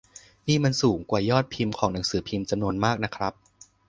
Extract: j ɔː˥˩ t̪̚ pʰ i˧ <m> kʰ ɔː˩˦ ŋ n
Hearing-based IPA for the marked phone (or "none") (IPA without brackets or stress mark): m